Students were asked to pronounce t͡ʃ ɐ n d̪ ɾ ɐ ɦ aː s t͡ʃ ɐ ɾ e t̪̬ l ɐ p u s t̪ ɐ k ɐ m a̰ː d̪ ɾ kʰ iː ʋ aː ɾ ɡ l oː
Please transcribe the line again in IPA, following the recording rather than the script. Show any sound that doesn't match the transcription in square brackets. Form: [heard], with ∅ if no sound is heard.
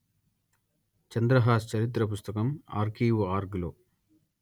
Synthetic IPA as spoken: t͡ʃ ɐ n d̪ ɾ ɐ ɦ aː s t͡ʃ ɐ ɾ [i] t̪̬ [ɾ] ɐ p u s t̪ ɐ k ɐ m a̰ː [∅] ɾ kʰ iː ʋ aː ɾ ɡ l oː